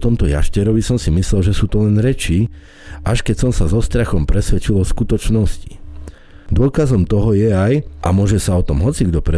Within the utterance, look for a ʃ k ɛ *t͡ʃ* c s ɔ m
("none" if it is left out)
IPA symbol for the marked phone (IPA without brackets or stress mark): none